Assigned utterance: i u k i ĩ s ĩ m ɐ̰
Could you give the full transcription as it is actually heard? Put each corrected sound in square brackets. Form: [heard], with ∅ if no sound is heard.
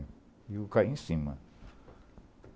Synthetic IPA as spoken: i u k [a] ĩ s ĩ m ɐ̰